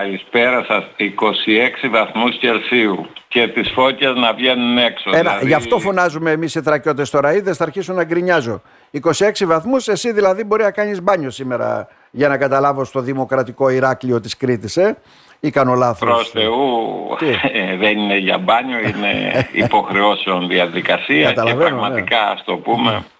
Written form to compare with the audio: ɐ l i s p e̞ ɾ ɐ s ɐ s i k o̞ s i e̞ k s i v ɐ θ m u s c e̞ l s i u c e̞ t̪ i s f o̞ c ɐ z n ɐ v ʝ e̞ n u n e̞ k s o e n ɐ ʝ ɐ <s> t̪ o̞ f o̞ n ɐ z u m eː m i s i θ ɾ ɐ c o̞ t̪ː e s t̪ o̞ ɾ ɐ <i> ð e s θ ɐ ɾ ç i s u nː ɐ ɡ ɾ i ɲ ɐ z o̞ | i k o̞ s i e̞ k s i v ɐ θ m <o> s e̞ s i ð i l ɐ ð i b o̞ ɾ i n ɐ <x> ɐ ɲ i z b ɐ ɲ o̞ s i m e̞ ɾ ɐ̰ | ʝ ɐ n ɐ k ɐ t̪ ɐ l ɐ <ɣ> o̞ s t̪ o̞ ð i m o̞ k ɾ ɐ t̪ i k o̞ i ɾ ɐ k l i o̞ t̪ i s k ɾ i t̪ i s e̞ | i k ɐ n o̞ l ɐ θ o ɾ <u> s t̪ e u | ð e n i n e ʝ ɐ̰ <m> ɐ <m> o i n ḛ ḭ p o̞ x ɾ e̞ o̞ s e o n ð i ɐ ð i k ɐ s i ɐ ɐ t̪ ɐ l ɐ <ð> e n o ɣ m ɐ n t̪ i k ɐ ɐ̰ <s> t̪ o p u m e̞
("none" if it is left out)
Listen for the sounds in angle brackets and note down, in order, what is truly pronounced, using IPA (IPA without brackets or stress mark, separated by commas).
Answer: f, i, u, k, v, o, b, ɲ, v, s